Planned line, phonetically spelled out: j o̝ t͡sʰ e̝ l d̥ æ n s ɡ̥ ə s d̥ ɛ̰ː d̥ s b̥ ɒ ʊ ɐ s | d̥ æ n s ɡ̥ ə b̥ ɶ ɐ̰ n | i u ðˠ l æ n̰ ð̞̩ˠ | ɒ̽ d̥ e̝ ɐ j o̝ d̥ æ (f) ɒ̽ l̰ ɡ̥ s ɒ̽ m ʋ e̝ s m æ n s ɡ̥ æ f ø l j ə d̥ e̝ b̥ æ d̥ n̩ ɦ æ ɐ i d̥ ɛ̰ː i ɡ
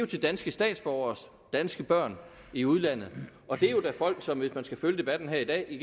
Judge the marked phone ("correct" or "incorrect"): correct